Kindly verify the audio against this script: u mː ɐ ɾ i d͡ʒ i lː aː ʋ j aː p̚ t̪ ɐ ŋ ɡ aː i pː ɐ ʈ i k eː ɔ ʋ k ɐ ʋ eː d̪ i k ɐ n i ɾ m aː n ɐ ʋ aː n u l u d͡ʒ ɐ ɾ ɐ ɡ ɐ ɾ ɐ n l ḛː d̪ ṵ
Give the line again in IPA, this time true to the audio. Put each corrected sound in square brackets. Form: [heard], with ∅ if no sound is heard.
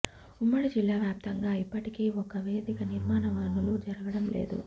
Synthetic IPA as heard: u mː ɐ [ɽ] i d͡ʒ i lː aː ʋ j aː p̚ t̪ ɐ ŋ ɡ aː i pː ɐ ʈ i k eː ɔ [∅] k ɐ ʋ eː d̪ i k ɐ n i ɾ m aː n ɐ ʋ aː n u l u d͡ʒ ɐ ɾ ɐ ɡ ɐ [ɽ] ɐ [m] l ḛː d̪ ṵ